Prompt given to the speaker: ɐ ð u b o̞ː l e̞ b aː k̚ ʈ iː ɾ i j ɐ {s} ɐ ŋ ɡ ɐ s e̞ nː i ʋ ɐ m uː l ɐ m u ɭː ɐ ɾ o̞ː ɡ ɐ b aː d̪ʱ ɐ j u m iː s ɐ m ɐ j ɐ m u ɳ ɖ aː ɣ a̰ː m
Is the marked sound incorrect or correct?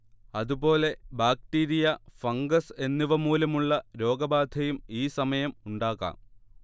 incorrect: f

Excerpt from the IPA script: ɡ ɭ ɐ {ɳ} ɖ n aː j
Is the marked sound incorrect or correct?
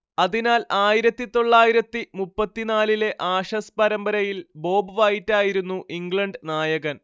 correct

